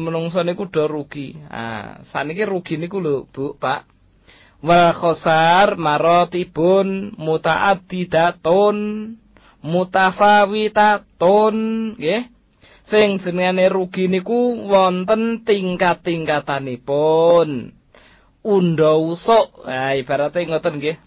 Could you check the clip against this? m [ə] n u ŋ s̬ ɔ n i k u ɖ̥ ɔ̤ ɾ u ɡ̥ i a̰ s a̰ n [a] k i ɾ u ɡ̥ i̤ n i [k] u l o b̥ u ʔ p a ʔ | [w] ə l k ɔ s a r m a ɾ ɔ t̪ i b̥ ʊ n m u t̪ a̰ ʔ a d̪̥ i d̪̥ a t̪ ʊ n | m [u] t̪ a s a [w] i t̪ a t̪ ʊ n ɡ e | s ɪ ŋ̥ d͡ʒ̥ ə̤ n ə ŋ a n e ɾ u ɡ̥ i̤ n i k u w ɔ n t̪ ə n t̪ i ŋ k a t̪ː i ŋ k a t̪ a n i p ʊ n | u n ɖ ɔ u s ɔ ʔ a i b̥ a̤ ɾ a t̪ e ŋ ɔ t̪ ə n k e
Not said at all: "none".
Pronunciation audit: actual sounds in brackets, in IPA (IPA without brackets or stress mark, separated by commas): ə, i, k, w, u, w